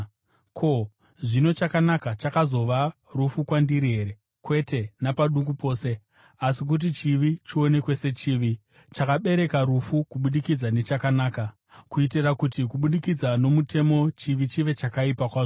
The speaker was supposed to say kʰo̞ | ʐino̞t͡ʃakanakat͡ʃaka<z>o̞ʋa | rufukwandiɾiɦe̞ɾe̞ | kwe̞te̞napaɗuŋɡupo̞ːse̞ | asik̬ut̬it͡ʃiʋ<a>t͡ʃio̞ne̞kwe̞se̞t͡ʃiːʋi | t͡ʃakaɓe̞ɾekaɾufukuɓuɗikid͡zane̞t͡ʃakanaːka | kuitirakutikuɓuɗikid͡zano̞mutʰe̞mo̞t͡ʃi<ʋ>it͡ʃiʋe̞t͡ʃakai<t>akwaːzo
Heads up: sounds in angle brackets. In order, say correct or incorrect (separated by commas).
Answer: correct, incorrect, correct, incorrect